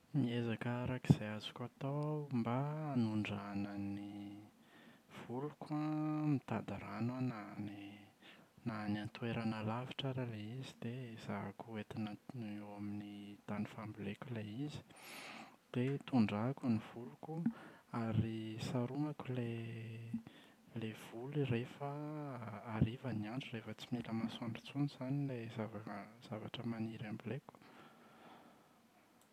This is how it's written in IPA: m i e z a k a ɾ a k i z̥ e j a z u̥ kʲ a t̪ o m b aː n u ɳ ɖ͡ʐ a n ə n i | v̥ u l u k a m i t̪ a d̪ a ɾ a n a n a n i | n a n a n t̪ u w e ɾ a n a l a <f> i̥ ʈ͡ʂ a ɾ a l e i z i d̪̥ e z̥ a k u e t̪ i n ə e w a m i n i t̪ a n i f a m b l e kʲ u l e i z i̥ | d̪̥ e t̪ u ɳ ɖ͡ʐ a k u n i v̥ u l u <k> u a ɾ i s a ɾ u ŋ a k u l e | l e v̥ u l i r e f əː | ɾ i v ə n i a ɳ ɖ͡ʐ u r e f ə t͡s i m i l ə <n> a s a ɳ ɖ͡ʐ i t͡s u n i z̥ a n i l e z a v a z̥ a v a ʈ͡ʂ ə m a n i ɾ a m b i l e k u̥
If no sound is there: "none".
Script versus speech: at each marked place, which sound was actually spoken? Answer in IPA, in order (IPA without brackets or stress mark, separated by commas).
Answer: v, k, m